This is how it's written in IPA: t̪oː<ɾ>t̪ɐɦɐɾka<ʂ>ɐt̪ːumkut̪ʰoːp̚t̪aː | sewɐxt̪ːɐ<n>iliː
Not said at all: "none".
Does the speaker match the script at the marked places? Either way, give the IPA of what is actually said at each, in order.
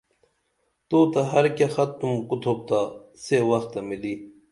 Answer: none, x, m

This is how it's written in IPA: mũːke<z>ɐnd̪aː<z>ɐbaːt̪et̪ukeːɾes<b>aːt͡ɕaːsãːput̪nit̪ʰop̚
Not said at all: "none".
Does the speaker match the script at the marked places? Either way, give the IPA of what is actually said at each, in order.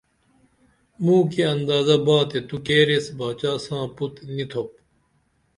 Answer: none, z, b

